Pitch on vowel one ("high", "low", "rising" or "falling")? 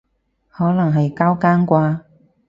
rising